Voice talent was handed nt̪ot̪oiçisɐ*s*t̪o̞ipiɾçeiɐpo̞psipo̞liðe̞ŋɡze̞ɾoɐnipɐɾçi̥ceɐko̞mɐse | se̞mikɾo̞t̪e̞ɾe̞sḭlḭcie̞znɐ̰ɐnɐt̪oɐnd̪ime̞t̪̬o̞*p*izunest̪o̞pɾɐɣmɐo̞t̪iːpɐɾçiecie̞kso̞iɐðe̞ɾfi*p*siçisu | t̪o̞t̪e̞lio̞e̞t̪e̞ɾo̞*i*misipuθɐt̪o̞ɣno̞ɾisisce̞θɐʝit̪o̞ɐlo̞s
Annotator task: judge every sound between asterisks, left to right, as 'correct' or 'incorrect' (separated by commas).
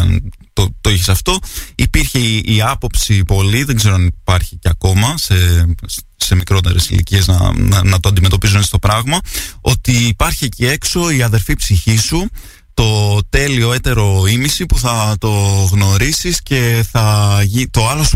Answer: incorrect, correct, correct, correct